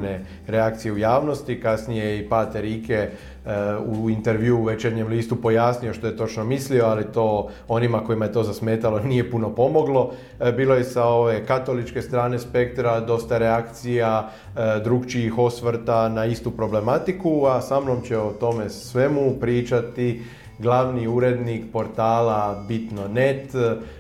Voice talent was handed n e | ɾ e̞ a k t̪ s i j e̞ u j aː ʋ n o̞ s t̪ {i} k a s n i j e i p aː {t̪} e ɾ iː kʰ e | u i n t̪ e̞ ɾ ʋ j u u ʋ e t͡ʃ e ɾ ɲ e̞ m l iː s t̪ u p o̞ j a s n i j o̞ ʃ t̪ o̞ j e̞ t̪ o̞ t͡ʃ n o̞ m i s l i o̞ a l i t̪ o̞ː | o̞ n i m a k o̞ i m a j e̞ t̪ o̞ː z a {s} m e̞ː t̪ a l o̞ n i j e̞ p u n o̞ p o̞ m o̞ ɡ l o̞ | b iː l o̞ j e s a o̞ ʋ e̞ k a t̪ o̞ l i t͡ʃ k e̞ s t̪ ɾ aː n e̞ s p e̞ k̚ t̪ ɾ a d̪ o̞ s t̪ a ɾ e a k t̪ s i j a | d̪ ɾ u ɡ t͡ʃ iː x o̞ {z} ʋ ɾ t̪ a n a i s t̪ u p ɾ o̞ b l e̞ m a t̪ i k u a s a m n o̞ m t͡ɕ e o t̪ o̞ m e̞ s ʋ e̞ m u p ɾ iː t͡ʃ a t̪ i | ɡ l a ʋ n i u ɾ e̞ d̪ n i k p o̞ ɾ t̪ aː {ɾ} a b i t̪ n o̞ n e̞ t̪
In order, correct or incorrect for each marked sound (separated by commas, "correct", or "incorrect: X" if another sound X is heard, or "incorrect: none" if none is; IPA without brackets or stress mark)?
correct, correct, correct, incorrect: s, incorrect: l